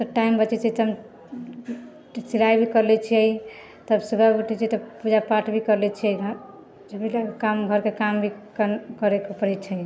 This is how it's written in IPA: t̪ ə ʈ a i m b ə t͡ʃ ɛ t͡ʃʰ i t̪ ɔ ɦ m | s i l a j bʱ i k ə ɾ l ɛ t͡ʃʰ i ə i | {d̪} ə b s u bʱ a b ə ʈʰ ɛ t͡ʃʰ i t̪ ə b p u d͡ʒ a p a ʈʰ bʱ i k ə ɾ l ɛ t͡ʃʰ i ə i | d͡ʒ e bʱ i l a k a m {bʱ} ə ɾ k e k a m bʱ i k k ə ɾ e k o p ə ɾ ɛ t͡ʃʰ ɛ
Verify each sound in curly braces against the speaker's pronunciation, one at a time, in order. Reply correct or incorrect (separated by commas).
incorrect, incorrect